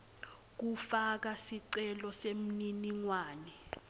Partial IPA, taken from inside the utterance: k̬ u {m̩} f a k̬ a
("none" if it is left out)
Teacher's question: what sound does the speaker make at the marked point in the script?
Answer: none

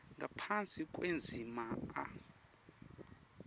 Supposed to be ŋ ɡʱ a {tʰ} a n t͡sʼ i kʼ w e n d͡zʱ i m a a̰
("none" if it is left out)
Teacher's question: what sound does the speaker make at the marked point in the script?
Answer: pʰ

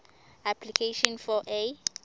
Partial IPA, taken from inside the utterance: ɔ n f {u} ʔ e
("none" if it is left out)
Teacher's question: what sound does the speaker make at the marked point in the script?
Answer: ɔ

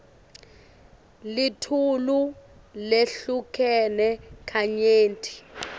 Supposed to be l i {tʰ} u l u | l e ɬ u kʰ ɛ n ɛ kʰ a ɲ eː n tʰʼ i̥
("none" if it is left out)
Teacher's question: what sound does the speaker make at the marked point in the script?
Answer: tʰ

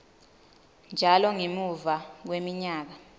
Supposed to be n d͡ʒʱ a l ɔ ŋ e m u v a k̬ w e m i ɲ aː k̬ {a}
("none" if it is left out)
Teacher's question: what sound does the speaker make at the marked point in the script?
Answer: a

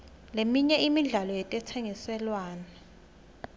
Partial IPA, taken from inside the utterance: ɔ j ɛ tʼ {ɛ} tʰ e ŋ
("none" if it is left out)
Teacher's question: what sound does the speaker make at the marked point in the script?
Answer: ɛ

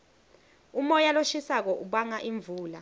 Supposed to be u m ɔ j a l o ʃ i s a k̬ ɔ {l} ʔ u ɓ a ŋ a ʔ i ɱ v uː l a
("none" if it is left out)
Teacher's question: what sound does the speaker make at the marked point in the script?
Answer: none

